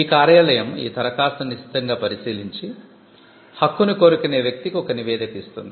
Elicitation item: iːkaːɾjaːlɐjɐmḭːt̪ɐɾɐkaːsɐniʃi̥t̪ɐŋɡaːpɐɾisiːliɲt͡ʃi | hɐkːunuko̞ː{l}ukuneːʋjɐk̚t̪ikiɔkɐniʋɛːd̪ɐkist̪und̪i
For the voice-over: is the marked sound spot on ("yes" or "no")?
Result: no